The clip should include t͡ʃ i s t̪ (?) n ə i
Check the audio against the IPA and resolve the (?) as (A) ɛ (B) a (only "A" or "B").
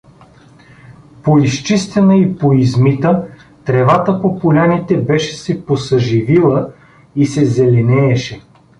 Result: A